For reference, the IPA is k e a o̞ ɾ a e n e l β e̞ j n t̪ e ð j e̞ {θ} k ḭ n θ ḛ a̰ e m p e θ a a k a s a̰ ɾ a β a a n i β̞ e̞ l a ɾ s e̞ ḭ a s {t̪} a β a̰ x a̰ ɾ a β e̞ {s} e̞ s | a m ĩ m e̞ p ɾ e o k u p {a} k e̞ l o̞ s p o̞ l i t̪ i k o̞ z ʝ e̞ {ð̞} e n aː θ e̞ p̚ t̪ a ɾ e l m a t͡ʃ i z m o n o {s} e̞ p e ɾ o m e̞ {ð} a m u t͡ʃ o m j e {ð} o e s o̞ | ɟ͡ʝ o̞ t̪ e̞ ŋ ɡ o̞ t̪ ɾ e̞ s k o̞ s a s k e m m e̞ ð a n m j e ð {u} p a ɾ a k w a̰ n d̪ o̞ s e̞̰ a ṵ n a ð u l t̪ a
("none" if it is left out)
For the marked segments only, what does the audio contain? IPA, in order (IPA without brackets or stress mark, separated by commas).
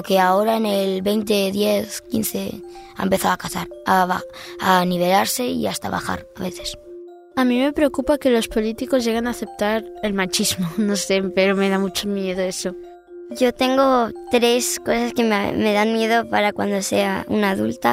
θ, t̪, θ, a, ɣ̞, s, ð, ð, o